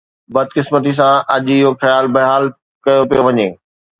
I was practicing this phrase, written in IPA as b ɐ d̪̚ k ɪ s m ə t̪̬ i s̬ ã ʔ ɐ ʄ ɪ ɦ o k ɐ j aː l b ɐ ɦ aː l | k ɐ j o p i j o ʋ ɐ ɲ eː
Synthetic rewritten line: b ɐ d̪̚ k ɪ s m ə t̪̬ i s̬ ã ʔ ɐ ʄ ɪ ɦ o x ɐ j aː l b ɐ ɦ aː l | k ɐ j o p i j o ʋ ɐ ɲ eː